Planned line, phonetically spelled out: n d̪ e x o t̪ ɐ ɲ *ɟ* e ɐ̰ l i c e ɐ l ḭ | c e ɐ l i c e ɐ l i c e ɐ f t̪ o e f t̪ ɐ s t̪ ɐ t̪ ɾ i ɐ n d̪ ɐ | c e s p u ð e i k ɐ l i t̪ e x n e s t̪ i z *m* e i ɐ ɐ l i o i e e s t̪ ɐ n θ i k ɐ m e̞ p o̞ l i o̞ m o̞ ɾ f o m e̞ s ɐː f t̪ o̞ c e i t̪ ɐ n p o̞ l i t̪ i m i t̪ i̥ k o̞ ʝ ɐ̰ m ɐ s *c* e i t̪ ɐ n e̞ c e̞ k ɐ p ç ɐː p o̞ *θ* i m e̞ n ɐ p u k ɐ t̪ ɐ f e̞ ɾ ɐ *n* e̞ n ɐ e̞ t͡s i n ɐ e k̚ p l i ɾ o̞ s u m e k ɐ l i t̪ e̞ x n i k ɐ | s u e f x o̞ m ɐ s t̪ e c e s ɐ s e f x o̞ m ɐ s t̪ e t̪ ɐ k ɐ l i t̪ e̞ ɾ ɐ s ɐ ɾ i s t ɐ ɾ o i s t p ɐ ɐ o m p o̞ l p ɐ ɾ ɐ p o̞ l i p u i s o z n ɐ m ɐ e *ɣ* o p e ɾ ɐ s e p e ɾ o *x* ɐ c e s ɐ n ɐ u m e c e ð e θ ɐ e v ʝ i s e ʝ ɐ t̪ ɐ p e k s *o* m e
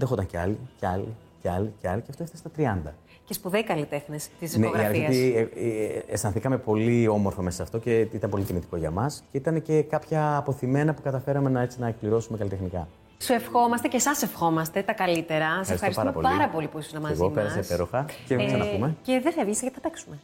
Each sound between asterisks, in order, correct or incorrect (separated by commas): incorrect, incorrect, correct, correct, incorrect, correct, correct, incorrect